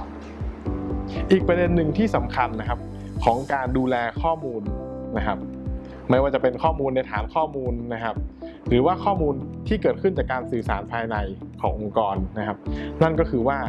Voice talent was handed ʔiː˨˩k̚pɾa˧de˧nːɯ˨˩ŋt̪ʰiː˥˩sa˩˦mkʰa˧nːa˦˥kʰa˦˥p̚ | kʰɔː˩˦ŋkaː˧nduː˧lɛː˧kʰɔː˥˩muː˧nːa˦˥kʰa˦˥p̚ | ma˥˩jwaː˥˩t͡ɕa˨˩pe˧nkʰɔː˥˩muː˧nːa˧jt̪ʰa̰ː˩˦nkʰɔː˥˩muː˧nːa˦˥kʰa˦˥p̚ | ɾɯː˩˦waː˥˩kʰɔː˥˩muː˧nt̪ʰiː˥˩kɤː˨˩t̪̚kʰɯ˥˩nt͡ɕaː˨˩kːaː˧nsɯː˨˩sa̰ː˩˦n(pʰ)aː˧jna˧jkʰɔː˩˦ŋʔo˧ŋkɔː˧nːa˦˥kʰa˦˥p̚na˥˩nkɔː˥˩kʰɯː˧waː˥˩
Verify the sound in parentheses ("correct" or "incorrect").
correct